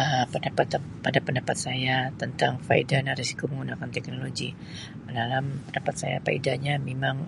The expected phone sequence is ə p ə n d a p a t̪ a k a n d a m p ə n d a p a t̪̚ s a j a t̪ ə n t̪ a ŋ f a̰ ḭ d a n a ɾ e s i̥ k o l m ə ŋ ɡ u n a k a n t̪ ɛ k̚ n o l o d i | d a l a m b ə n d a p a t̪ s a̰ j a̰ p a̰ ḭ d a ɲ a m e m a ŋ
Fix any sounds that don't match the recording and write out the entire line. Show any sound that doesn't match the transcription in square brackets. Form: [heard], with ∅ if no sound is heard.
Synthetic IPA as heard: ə p ə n d a p a t̪ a [p] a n d a [∅] p ə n d a p a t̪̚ s a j a t̪ ə n t̪ a ŋ f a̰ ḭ d a n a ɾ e s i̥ k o [∅] m ə ŋ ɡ u n a k a n t̪ ɛ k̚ n o l o [ɡ] i | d a l a m [p] ə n d a p a t̪ s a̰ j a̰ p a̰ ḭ d a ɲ a m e m a ŋ

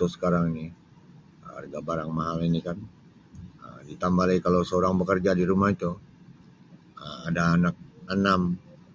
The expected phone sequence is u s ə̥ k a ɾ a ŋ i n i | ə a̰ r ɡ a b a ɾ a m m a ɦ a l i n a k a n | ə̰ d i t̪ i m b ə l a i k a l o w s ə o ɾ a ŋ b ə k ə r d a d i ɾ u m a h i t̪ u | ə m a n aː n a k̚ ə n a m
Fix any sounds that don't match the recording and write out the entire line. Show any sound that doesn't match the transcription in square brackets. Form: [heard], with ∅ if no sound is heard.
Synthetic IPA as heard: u s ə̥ k a ɾ a ŋ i n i | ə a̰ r ɡ a b a ɾ a [ŋ] m a ɦ a l i n [i] k a n | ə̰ d i t̪ [a] m b [a] l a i k a l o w s ə o ɾ a ŋ b ə k ə r [d͡ʒ] a d i ɾ u m a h i t̪ u | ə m a [d] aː n a k̚ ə n a m

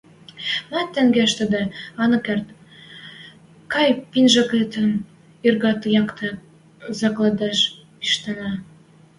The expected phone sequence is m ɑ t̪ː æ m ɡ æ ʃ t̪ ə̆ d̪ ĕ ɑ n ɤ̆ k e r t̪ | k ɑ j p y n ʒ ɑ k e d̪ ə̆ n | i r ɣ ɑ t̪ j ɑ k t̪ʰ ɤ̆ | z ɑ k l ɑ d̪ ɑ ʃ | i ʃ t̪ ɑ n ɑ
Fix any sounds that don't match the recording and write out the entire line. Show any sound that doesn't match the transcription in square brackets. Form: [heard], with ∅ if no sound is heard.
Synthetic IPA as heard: m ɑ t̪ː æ [ŋ] ɡ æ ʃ t̪ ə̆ d̪ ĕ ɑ n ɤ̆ k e r t̪ | k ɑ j p [i] n ʒ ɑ k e [t̪] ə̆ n | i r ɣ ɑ t̪ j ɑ k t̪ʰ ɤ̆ | z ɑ k l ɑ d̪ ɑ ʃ | i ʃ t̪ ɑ n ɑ

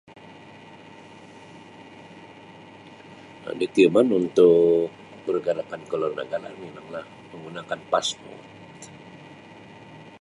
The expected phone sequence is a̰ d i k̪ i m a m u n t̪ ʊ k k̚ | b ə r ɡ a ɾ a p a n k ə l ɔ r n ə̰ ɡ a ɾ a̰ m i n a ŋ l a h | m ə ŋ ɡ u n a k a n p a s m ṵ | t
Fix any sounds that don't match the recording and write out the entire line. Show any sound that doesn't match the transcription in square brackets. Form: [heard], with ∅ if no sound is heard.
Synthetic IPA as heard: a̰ d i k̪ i m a [n] u n t̪ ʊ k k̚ | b ə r ɡ a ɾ a p a n k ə l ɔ r n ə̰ ɡ a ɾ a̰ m i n a ŋ l a h | m ə ŋ ɡ u n a k a n p a s m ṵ | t

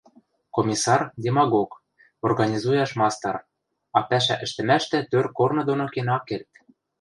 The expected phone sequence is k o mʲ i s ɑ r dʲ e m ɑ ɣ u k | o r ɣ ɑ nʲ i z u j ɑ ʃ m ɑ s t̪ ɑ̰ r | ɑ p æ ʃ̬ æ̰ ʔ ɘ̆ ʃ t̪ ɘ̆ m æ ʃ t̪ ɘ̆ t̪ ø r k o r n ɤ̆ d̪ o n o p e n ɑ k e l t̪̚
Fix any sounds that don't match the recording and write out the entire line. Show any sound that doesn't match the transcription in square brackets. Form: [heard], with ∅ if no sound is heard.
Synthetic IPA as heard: k o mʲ i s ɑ r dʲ e m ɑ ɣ [o] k | o r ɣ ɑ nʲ i z u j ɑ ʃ m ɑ s t̪ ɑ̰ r | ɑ p æ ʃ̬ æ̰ ʔ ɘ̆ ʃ t̪ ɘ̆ m æ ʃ t̪ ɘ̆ t̪ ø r k o r n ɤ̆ d̪ o n o [k] e n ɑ k e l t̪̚

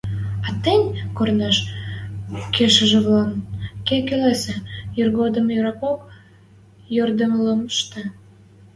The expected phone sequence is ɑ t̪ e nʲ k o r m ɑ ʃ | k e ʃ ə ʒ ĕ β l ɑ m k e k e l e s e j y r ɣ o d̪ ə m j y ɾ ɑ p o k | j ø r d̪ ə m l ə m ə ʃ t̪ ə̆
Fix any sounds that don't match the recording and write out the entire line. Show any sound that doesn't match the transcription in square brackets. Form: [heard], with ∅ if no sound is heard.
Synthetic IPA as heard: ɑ t̪ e nʲ k o r [n] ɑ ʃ | k e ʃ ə ʒ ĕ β l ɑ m k e k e l e s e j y r ɣ o d̪ ə m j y ɾ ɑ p o k | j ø r d̪ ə m l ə m ə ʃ t̪ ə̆

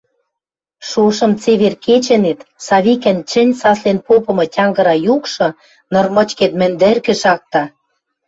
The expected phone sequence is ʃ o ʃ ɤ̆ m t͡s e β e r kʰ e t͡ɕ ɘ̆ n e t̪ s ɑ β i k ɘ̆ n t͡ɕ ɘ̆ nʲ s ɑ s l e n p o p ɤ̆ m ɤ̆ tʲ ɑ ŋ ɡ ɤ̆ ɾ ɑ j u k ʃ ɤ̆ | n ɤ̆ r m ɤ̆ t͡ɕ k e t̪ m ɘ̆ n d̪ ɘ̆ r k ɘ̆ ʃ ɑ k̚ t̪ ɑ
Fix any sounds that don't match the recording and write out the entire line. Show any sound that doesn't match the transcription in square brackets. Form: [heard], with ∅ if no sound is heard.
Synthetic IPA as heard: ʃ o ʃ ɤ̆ m t͡s e β e r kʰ e t͡ɕ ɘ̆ n e t̪ s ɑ β i k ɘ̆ n t͡ɕ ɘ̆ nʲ s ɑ s l e n p o p ɤ̆ m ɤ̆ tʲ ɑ ŋ ɡ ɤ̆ ɾ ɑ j u k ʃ ɤ̆ | n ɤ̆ r m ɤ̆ t͡ɕ k e t̪ m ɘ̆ n d̪ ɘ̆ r k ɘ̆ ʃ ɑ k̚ t̪ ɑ

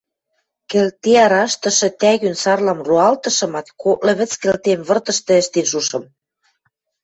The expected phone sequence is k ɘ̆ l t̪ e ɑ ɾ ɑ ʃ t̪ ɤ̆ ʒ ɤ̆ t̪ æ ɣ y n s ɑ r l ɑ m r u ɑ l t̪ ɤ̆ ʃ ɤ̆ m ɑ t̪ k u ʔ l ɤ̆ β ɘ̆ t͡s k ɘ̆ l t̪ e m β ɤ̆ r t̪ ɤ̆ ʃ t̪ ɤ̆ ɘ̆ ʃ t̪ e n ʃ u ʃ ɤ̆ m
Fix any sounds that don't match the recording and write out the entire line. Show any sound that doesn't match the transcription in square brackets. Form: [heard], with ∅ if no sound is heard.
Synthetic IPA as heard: k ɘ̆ l t̪ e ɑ ɾ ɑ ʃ t̪ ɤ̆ [ʃ] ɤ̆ t̪ æ ɣ y n s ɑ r l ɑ m r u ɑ l t̪ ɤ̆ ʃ ɤ̆ m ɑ t̪ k [o] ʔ l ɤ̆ β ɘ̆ t͡s k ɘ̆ l t̪ e m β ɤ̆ r t̪ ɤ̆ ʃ t̪ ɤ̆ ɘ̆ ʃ t̪ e n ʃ u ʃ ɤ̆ m

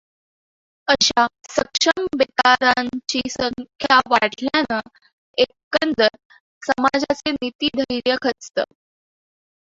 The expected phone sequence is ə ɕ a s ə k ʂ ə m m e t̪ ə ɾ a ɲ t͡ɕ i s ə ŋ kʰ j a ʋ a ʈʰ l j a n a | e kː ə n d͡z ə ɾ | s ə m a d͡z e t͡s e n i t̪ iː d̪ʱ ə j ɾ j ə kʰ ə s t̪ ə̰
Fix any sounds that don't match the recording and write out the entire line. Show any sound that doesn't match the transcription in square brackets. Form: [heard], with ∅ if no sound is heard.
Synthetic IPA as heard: ə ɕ a s ə k ʂ ə m [b] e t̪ [a] ɾ a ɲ t͡ɕ i s ə ŋ kʰ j a ʋ a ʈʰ l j a n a | e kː ə n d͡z ə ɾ | s ə m a d͡z [a] t͡s e n i t̪ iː d̪ʱ ə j ɾ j ə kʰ ə [t͡s] t̪ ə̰

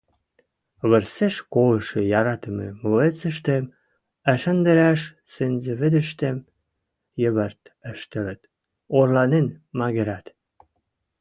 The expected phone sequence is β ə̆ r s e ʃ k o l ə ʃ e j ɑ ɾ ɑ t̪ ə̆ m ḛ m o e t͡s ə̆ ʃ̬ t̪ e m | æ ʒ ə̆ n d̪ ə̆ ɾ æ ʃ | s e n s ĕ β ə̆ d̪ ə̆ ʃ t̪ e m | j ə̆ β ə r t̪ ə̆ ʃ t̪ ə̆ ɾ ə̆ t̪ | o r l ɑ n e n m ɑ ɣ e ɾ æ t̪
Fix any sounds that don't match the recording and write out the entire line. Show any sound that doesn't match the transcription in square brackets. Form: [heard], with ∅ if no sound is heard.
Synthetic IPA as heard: β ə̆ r s e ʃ k o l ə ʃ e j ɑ ɾ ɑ t̪ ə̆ m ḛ m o e t͡s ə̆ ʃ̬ t̪ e m | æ [ʃ] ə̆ n d̪ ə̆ ɾ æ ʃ | s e n [z] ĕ β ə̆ d̪ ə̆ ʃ t̪ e m | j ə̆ β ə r t̪ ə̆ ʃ t̪ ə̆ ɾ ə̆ t̪ | o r l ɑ n e n m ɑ ɣ e ɾ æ t̪

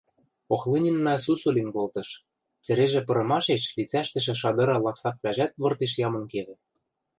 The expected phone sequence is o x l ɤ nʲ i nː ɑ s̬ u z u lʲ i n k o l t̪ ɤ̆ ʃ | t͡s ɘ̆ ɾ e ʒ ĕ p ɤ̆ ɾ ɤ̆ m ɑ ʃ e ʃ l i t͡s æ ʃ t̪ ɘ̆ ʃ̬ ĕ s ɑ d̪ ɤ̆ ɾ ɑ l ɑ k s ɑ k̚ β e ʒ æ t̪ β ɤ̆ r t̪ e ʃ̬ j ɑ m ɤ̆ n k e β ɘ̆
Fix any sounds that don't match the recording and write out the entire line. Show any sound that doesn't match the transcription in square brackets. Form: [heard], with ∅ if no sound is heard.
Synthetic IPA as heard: o x l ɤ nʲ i nː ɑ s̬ u [s] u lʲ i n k o l t̪ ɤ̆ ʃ | t͡s ɘ̆ ɾ e ʒ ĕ p ɤ̆ ɾ ɤ̆ m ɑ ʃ e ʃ l i t͡s æ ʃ t̪ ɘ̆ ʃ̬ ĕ [ʃ] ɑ d̪ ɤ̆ ɾ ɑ l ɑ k s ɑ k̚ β [æ] ʒ æ t̪ β ɤ̆ r t̪ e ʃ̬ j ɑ m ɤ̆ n k e β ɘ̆

